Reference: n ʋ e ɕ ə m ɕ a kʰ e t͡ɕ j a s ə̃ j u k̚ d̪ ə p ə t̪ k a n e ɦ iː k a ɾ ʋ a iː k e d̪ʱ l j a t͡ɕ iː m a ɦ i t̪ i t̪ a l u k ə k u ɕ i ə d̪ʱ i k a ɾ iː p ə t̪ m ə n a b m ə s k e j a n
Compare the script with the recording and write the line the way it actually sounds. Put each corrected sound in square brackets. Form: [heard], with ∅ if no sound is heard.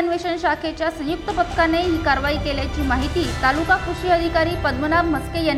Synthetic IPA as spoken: n ʋ e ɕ ə [n] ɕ a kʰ e t͡ɕ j a s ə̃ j u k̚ [t̪] ə p ə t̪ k a n e ɦ iː k a ɾ ʋ a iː k e [∅] l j a t͡ɕ iː m a ɦ i t̪ [iː] t̪ a l u k [a] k u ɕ i ə d̪ʱ i k a ɾ iː p ə [d̪] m ə n a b m ə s k e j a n